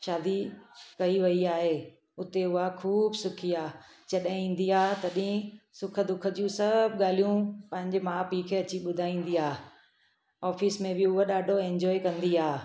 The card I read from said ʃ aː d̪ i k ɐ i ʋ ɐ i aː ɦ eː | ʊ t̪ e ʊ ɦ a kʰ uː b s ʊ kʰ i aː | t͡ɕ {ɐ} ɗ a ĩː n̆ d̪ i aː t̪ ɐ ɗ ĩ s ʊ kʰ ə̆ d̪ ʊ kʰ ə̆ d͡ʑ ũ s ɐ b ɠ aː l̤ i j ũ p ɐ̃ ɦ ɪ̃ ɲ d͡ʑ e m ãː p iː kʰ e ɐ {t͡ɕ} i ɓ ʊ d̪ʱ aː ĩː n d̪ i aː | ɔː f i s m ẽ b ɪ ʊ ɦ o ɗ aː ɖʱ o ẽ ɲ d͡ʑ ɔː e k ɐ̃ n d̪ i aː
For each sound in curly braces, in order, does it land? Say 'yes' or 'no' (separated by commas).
yes, yes